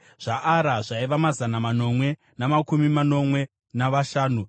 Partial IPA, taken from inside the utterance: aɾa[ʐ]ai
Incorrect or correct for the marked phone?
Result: correct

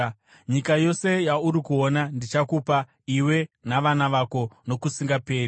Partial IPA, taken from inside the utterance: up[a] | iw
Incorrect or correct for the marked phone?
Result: correct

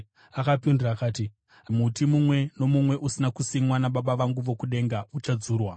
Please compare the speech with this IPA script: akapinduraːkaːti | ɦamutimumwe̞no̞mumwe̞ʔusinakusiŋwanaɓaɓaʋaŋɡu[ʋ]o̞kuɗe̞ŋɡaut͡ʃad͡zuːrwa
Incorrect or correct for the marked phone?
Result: correct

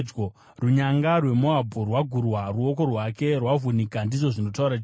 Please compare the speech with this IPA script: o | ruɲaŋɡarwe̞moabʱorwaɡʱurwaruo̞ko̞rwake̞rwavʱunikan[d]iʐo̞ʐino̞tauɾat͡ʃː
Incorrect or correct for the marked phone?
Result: correct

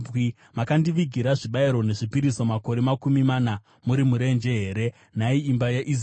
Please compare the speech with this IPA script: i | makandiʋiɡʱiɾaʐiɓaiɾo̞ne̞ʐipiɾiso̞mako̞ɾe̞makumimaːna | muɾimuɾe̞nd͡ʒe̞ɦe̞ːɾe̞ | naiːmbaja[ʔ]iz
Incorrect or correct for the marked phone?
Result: correct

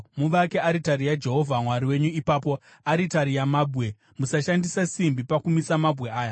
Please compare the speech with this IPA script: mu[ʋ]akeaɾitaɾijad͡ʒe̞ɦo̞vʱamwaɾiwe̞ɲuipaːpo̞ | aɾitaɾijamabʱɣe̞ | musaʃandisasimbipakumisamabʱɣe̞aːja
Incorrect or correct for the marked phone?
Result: correct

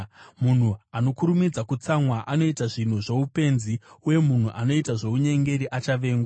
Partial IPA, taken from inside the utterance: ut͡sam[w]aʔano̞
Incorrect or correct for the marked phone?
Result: correct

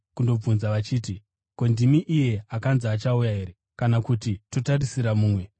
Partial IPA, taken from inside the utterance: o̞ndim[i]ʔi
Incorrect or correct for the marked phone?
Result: correct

